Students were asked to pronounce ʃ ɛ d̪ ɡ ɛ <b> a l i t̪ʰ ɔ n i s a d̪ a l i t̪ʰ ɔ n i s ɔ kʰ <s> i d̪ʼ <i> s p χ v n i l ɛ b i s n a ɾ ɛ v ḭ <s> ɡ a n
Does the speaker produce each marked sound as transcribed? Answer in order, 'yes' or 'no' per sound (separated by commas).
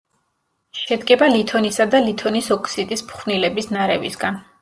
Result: yes, yes, yes, yes